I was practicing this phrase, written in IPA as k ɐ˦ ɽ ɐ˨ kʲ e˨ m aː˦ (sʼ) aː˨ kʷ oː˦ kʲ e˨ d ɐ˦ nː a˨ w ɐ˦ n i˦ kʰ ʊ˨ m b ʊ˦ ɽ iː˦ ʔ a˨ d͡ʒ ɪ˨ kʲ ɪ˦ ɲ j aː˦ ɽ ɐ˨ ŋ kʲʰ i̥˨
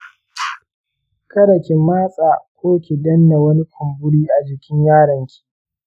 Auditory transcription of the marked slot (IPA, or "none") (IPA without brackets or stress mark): sʼ